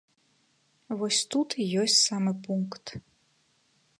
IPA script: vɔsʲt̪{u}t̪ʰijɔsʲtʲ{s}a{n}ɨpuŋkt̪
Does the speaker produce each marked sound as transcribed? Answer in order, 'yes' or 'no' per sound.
yes, yes, no

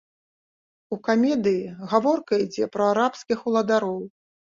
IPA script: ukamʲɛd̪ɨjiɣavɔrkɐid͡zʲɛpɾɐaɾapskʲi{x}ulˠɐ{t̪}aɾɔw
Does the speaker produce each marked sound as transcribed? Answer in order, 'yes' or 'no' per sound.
yes, no

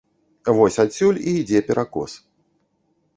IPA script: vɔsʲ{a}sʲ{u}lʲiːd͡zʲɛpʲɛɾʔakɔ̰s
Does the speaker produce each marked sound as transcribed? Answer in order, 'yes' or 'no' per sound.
yes, yes

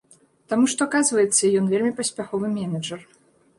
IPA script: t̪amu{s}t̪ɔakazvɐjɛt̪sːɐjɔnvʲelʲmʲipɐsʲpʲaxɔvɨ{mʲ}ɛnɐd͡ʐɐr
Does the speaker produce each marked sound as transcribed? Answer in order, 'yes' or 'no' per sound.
no, yes

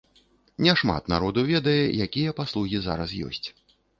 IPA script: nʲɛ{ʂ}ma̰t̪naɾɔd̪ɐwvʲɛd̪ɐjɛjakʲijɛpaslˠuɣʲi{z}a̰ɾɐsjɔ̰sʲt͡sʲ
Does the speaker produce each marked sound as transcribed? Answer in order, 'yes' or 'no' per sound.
yes, yes

